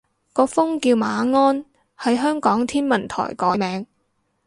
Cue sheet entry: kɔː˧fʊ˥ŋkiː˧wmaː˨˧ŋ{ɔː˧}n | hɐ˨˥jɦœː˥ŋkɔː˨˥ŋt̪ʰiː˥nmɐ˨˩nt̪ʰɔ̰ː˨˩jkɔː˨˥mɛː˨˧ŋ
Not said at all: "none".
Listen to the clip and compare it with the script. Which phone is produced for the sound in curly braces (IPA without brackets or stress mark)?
ɔː˥